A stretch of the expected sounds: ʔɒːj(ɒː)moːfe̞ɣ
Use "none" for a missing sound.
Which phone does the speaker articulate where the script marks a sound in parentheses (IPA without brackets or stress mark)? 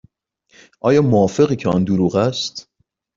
ɒː